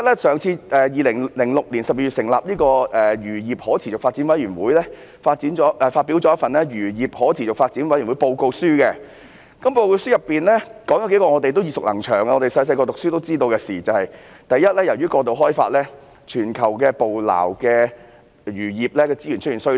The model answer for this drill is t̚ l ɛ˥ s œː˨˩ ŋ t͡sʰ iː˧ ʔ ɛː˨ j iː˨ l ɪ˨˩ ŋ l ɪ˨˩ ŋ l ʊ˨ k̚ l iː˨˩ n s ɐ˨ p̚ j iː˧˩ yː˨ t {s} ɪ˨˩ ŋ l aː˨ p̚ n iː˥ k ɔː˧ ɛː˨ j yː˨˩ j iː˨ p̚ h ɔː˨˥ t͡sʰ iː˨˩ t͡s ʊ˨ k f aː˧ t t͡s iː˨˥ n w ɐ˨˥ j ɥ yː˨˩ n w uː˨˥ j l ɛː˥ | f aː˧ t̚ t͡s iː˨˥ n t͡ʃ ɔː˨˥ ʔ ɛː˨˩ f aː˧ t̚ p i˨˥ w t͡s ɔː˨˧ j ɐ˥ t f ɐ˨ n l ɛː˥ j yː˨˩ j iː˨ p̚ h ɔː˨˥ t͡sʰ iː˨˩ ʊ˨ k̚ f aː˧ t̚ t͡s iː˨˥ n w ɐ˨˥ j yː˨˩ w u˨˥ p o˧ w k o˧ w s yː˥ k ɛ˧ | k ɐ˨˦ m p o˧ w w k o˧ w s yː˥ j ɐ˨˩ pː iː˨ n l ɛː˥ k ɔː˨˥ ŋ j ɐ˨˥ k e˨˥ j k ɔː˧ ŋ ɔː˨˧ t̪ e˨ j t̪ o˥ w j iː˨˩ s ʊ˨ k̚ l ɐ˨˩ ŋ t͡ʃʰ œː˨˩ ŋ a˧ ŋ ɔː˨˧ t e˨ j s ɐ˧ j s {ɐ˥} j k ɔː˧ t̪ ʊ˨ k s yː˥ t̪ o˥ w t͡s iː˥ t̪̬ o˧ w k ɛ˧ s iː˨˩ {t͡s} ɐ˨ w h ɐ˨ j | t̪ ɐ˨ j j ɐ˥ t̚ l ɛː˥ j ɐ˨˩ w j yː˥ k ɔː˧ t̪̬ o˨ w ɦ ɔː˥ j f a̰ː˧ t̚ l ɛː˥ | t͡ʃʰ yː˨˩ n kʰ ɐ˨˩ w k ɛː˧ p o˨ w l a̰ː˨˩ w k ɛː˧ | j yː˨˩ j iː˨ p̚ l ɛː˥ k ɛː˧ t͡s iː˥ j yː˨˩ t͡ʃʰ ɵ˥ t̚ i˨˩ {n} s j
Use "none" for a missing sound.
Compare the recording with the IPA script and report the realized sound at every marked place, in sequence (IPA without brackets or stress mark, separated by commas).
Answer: s, ɐ˧, t͡s, n